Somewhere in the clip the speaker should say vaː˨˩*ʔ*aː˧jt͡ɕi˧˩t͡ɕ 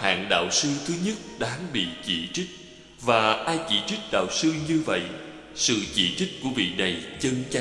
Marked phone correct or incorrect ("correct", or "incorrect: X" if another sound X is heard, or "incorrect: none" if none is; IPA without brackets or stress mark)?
correct